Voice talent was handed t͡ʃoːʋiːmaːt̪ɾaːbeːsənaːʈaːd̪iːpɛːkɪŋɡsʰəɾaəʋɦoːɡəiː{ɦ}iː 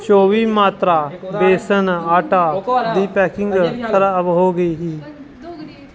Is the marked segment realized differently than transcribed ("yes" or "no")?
no